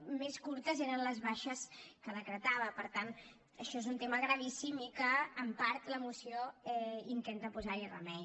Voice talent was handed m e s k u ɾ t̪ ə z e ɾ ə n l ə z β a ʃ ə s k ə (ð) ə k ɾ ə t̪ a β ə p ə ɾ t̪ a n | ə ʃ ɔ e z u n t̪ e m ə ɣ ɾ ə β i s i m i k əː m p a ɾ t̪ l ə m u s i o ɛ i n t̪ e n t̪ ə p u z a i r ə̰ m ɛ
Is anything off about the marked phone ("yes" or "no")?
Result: no